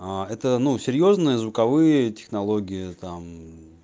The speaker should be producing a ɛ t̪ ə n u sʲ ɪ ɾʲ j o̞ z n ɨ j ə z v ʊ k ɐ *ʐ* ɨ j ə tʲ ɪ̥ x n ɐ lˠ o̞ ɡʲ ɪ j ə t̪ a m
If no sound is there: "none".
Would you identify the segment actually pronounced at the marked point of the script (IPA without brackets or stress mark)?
v